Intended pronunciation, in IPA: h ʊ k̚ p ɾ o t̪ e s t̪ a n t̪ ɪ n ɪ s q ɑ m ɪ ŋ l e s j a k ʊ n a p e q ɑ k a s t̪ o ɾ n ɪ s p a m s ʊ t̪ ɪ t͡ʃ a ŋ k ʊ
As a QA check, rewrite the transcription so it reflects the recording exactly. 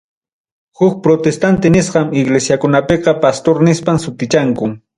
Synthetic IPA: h ʊ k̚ p ɾ o t̪ e s t̪ a n t̪ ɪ n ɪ s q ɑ m ɪ ɡ l e s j a k ʊ n a p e q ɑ p a s t̪ o ɾ n ɪ s p a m s ʊ t̪ ɪ t͡ʃ a ŋ k ʊ